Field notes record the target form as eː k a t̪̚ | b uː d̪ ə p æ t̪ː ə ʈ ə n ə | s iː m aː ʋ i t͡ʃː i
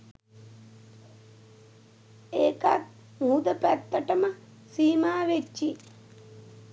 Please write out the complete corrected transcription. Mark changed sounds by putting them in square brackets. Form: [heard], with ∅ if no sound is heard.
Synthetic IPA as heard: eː k a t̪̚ | [m] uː d̪ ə p æ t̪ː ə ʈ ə [m] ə | s iː m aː ʋ [e] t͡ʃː i